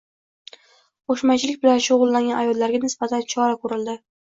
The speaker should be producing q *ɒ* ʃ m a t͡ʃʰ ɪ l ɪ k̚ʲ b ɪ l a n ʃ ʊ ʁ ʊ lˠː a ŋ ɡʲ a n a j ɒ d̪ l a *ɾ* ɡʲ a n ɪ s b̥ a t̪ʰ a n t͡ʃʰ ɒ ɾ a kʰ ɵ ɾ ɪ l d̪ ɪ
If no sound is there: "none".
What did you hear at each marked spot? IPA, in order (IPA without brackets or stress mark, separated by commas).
o, ɾ